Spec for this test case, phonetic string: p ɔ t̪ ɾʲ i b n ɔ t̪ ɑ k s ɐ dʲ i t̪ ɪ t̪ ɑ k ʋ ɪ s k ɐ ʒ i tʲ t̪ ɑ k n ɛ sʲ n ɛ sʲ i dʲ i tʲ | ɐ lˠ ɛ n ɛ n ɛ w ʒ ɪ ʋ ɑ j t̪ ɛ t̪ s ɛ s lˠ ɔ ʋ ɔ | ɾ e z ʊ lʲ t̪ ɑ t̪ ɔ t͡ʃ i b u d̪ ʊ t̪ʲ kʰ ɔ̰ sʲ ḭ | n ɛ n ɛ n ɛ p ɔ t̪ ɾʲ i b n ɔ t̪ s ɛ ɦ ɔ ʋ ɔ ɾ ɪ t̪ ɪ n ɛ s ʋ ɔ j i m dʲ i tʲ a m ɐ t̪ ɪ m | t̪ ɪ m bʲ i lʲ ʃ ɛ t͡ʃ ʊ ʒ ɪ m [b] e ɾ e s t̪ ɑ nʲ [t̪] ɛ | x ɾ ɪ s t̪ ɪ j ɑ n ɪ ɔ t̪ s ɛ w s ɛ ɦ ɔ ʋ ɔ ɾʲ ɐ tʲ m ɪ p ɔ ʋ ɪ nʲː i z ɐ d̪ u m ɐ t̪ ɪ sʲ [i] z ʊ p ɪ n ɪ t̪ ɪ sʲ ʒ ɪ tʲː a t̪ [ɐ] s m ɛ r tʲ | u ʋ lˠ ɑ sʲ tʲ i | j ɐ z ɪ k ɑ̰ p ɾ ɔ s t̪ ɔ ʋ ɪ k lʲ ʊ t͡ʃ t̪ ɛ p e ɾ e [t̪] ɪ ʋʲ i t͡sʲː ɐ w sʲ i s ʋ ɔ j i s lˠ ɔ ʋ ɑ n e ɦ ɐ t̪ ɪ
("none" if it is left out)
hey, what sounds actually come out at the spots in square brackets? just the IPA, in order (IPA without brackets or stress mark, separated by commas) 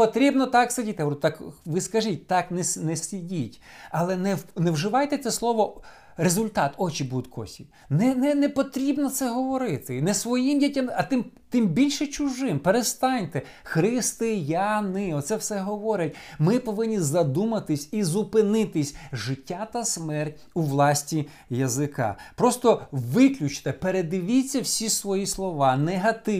p, t̪, i, ɐ, d̪